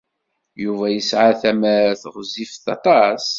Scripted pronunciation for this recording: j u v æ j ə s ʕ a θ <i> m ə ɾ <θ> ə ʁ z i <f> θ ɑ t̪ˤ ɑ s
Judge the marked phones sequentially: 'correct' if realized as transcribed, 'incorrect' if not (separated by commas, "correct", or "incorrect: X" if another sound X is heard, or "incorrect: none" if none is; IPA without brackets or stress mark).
incorrect: æ, correct, correct